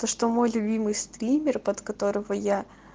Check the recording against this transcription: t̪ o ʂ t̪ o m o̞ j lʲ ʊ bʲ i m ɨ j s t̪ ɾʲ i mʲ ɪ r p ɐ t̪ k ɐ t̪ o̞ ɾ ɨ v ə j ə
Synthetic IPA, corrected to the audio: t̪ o ʂ t̪ o m o̞ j lʲ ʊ bʲ i m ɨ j s t̪ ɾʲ i mʲ ɪ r p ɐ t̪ k ɐ t̪ o̞ ɾ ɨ v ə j a